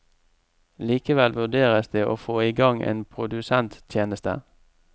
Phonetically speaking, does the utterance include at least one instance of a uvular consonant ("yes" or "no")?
yes